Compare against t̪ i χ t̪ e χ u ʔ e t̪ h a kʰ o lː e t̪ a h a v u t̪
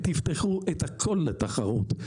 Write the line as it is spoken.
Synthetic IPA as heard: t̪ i f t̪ e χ u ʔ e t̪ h a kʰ o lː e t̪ a χ a ʁ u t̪